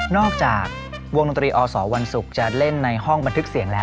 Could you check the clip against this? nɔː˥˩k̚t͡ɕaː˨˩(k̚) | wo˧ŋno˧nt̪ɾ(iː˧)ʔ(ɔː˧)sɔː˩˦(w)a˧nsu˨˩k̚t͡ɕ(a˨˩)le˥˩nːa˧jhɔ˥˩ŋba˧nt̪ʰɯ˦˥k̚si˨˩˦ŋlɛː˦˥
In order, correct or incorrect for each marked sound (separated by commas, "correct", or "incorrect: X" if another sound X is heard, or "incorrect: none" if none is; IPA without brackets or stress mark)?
correct, correct, correct, correct, correct